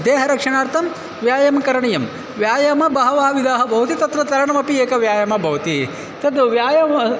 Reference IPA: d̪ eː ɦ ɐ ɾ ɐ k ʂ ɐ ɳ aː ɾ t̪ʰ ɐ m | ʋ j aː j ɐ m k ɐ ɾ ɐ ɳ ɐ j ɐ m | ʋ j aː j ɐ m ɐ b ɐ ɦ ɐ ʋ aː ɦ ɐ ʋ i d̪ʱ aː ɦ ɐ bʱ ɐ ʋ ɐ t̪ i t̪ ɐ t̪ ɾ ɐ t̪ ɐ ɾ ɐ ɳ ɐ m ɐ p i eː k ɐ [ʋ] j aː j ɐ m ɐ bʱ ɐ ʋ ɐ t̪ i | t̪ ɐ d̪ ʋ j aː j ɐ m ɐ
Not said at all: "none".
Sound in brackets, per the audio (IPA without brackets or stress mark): ʋ